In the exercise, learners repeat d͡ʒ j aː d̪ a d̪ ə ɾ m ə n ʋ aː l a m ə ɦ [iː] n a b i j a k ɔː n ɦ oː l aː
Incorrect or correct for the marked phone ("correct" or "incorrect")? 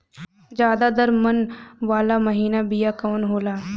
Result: correct